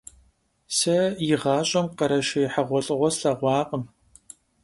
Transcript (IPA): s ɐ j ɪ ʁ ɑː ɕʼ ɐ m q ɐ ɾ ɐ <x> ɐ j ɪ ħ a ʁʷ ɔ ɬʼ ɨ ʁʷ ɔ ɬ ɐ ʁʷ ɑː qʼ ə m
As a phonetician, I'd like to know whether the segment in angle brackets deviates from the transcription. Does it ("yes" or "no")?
yes